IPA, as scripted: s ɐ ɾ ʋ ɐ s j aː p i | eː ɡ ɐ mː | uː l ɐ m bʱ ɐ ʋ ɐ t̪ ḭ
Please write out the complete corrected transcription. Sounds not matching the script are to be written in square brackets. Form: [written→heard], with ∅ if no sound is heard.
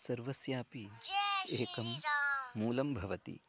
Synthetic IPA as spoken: s ɐ ɾ ʋ ɐ s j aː p i | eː [ɡ→k] ɐ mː | uː l ɐ m bʱ ɐ ʋ ɐ t̪ ḭ